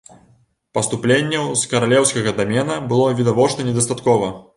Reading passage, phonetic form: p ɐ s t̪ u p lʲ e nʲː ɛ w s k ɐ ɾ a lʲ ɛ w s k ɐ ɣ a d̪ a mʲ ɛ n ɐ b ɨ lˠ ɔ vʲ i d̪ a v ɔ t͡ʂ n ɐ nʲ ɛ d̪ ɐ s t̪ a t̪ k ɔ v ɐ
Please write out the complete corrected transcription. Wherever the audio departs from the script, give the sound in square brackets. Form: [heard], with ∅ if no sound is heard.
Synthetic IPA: p ɐ s t̪ u p lʲ e nʲː ɛ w s k ɐ ɾ a lʲ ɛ w s k ɐ ɣ [ɐ] d̪ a mʲ ɛ n ɐ b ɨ lˠ ɔ vʲ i d̪ a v ɔ t͡ʂ n ɐ nʲ ɛ d̪ ɐ s t̪ a t̪ k ɔ v ɐ